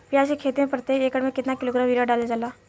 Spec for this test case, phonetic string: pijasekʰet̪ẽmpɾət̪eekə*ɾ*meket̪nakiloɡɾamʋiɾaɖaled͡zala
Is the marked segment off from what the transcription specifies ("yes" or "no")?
yes